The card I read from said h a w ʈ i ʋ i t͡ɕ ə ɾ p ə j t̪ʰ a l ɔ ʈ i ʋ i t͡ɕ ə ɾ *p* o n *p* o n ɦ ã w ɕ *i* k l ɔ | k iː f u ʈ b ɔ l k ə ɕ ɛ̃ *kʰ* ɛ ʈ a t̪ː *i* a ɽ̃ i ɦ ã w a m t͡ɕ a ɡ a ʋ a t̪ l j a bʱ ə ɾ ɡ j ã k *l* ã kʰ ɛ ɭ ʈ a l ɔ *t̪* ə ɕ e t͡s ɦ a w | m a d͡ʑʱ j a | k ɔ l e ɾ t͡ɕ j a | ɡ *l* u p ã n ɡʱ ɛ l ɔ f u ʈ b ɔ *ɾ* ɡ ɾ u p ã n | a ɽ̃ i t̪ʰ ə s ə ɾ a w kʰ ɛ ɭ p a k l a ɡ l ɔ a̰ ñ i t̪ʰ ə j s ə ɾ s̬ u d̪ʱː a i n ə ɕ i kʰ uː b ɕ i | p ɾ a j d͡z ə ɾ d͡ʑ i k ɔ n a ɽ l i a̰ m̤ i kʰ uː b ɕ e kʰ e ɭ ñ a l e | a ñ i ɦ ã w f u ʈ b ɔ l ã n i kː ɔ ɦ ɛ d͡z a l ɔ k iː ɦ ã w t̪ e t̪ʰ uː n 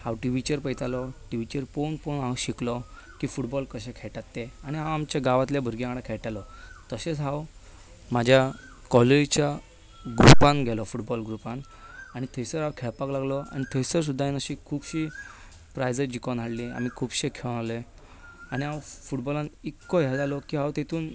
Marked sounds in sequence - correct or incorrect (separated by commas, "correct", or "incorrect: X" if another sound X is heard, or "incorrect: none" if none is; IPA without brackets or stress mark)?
correct, correct, correct, correct, incorrect: e, incorrect: ɽ, correct, incorrect: ɾ, incorrect: l